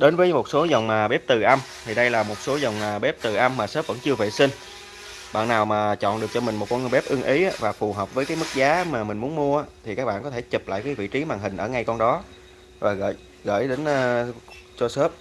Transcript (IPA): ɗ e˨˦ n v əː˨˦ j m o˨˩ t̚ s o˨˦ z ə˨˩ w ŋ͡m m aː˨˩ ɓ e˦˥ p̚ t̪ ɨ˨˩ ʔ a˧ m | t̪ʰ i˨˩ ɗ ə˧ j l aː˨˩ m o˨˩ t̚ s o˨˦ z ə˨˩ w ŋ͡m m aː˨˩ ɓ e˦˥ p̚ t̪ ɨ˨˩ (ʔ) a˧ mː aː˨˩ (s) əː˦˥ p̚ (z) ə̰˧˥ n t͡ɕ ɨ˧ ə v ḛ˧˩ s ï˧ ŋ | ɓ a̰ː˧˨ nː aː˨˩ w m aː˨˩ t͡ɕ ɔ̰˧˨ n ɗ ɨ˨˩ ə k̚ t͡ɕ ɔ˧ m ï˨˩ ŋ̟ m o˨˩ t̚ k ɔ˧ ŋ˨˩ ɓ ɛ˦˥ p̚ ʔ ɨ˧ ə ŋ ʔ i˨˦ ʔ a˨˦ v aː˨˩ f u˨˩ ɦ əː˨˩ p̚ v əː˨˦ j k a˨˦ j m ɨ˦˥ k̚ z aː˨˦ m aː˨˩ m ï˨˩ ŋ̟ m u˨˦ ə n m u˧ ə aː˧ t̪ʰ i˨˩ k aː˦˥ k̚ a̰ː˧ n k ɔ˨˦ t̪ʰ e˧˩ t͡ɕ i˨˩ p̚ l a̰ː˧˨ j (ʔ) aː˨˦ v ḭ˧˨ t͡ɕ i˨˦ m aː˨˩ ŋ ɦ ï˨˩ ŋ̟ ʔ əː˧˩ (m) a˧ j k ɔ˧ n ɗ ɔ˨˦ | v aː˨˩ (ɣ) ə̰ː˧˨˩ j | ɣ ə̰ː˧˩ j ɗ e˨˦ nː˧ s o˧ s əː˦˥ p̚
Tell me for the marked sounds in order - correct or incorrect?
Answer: correct, correct, incorrect, incorrect, incorrect, correct

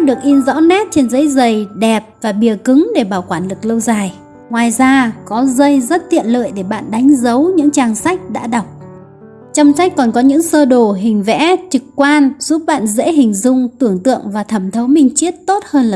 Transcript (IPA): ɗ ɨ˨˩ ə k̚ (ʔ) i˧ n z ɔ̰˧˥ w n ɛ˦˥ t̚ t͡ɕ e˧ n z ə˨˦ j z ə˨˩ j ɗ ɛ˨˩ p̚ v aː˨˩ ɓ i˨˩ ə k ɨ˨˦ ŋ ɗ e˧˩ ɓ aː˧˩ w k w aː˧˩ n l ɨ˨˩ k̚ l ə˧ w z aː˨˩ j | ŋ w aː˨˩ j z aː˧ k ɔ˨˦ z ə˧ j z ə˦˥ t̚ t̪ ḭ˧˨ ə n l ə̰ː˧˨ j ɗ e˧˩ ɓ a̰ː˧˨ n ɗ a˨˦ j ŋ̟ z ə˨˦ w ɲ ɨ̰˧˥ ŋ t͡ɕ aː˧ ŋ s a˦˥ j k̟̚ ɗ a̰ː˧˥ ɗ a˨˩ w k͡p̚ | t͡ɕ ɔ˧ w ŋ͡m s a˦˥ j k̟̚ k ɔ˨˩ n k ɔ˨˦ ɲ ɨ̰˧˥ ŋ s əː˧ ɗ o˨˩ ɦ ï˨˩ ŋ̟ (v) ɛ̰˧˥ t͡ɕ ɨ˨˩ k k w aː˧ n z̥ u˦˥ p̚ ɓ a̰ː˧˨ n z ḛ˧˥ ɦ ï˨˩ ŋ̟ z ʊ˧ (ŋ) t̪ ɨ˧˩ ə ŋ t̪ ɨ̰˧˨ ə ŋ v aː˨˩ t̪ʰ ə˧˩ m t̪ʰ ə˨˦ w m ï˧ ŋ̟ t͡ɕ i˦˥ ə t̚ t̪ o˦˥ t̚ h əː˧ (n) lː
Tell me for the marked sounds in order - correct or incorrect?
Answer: correct, correct, incorrect, correct

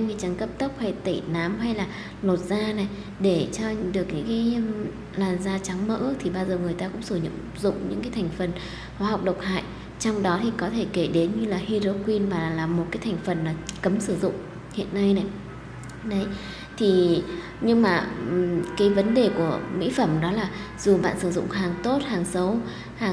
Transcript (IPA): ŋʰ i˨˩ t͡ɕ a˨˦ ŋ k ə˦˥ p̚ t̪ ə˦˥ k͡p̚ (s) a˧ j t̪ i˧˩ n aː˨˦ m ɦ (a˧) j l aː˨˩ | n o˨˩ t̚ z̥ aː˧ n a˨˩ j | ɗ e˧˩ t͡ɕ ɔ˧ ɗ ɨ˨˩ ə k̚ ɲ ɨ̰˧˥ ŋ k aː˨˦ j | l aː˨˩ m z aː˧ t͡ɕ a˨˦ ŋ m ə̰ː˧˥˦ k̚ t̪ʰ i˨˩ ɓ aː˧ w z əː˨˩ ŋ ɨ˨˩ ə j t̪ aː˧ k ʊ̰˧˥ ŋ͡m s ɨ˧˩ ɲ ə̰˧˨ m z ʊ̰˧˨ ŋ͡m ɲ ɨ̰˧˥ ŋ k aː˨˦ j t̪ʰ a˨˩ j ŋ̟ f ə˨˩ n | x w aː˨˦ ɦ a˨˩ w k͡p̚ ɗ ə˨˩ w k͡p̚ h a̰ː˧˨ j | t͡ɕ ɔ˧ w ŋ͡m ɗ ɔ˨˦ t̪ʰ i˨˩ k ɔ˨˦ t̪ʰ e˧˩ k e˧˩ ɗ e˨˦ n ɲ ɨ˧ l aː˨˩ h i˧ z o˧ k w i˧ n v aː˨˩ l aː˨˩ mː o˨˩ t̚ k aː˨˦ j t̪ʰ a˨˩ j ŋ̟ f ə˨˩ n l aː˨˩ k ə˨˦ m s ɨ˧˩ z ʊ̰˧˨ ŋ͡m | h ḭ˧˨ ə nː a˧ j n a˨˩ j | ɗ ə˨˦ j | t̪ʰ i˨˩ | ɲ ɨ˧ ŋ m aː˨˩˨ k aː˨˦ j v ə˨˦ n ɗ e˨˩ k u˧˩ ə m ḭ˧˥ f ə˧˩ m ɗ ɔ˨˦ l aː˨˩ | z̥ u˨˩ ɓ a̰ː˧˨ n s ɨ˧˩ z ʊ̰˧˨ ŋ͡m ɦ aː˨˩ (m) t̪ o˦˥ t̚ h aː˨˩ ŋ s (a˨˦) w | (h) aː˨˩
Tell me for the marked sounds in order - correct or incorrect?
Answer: incorrect, correct, incorrect, incorrect, correct

